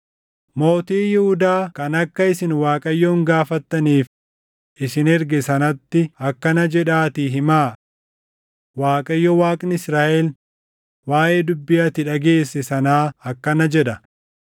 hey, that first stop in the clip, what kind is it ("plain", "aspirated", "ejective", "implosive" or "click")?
plain